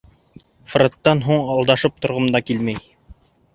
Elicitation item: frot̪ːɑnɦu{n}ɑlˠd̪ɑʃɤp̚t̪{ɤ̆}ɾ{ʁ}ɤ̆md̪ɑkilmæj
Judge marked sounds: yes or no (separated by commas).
no, no, yes